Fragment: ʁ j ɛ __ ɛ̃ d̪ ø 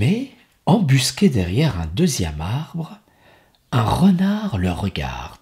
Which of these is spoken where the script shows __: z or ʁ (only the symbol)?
ʁ